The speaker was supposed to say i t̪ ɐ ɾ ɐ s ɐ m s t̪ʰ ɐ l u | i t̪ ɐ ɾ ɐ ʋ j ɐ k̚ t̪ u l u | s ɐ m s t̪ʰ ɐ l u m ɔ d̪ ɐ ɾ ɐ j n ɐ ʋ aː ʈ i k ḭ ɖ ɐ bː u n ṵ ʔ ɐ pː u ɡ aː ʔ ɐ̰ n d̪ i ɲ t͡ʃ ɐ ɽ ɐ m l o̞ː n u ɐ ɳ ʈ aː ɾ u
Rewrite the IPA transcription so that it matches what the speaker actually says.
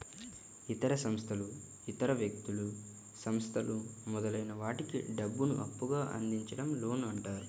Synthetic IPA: i t̪ ɐ ɾ ɐ s ɐ m s t̪ʰ ɐ l u | i t̪ ɐ ɾ ɐ ʋ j ɐ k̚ t̪ u l u | s ɐ m s t̪ʰ ɐ l u m ɔ d̪ ɐ l ɐ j n ɐ ʋ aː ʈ i k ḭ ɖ ɐ bː u n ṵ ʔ ɐ pː u ɡ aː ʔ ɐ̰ n d̪ i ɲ t͡ʃ ɐ ɽ ɐ m l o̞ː n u ɐ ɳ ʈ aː ɾ u

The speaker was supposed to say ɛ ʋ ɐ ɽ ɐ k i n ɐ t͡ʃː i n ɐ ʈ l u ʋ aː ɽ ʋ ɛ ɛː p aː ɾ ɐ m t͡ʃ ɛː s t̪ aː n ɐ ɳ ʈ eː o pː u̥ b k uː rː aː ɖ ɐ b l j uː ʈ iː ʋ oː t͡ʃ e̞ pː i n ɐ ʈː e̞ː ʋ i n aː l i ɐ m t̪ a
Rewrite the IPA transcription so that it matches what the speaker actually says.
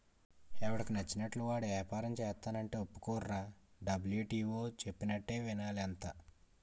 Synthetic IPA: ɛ ʋ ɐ ɽ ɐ k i n ɐ t͡ʃː i n ɐ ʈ l u ʋ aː ɽ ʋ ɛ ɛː p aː ɾ ɐ m t͡ʃ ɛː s t̪ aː n ɐ ɳ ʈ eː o pː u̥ k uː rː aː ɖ ɐ b l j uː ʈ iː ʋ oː t͡ʃ e̞ pː i n ɐ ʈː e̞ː ʋ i n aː l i ɐ n t̪ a

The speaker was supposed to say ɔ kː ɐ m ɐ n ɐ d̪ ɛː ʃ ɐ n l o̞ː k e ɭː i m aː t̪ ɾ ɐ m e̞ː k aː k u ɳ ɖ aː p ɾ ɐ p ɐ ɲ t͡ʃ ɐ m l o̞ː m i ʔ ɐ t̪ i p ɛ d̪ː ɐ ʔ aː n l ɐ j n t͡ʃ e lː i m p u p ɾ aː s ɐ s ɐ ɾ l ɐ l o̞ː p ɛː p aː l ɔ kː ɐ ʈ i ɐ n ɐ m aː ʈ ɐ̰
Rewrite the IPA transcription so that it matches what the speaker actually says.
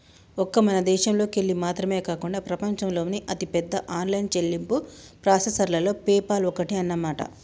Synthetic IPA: ɔ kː ɐ m ɐ n ɐ d̪ ɛː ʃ ɐ m l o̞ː k e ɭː i m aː t̪ ɾ ɐ m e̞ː k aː k u ɳ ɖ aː p ɾ ɐ p ɐ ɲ t͡ʃ ɐ m l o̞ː n i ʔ ɐ t̪ i p ɛ d̪ː ɐ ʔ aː n l ɐ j n t͡ʃ e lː i m p u p ɾ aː s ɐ s ɐ ɾ l ɐ l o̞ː p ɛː p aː l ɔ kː ɐ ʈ i ɐ nː ɐ m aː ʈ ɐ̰

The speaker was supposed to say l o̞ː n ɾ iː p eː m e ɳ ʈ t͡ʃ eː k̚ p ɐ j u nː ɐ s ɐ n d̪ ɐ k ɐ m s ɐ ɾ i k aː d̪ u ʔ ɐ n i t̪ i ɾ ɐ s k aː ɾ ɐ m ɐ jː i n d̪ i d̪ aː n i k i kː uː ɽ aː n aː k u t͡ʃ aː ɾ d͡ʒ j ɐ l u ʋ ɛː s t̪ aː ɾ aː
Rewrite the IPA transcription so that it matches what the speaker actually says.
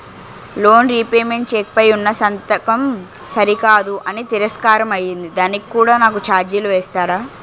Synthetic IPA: l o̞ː n ɾ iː p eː m e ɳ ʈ t͡ʃ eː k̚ p ɐ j u nː ɐ s ɐ n t̪ ɐ k ɐ m s ɐ ɾ i k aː d̪ u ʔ ɐ n i t̪ i ɾ ɐ s k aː ɾ ɐ m ɐ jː i n d̪ i d̪ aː n i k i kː uː ɽ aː n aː k u t͡ʃ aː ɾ d͡ʒ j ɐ l u ʋ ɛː s t̪ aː ɾ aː

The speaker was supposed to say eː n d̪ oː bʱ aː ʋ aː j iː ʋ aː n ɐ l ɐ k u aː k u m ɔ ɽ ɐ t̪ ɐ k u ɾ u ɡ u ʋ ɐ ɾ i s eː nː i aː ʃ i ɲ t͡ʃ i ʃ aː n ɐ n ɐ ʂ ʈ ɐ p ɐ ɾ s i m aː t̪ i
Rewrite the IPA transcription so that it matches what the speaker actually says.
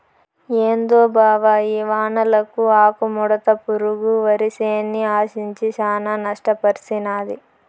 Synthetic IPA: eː n d̪ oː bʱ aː ʋ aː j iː ʋ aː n ɐ l ɐ k u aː k u m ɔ ɽ ɐ t̪ ɐ p u ɾ u ɡ u ʋ ɐ ɾ i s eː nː i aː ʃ i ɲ t͡ʃ i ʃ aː n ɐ n ɐ ʂ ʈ ɐ p ɐ ɾ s i n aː d̪ i

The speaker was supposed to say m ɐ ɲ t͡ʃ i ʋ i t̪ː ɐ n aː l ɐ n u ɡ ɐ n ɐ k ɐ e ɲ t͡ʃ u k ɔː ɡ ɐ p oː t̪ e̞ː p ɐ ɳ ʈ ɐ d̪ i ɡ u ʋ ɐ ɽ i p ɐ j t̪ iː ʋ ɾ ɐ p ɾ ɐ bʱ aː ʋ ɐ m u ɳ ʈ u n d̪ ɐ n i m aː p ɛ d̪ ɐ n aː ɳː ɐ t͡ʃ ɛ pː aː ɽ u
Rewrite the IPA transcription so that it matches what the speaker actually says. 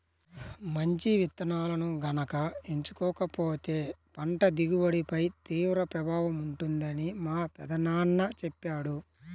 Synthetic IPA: m ɐ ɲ t͡ʃ i ʋ i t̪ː ɐ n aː l ɐ n u ɡ ɐ n ɐ k ɐ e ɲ t͡ʃ u k ɔː k ɐ p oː t̪ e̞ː p ɐ ɳ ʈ ɐ d̪ i ɡ u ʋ ɐ ɽ i p ɐ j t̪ iː ʋ ɾ ɐ p ɾ ɐ bʱ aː ʋ ɐ m u ɳ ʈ u n d̪ ɐ n i m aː p ɛ d̪ ɐ n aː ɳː ɐ t͡ʃ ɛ pː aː ɽ u

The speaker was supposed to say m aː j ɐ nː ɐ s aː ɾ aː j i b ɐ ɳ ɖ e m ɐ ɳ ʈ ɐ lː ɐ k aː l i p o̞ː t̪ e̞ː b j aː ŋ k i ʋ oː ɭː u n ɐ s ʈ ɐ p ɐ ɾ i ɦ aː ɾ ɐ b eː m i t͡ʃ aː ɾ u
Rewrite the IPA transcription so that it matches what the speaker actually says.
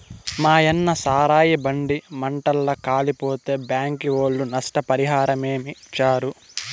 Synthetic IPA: m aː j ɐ nː ɐ s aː ɾ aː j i b ɐ ɳ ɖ i m ɐ ɳ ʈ ɐ lː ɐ k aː l i p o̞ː t̪ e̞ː b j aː ŋ k i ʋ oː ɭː u n ɐ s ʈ ɐ p ɐ ɾ i ɦ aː ɾ ɐ m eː m i t͡ʃ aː ɾ u

